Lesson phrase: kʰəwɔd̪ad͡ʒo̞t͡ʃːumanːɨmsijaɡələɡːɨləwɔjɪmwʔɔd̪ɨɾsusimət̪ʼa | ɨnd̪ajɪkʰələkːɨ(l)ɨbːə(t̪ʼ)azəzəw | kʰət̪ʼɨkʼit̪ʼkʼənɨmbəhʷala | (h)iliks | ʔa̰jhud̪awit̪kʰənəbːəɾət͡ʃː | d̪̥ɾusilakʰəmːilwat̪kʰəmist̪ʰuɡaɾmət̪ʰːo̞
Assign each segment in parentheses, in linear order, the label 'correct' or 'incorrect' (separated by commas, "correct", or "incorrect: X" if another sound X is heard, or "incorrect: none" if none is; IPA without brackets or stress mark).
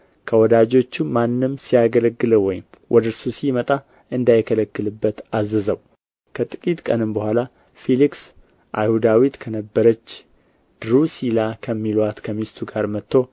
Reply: correct, incorrect: t̪, incorrect: f